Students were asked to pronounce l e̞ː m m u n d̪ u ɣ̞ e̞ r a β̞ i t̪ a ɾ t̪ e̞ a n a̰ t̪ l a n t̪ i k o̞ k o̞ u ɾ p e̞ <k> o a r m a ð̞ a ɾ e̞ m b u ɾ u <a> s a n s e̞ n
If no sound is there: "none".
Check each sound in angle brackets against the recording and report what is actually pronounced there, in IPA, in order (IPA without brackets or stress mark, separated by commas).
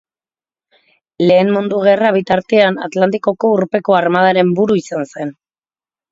k, i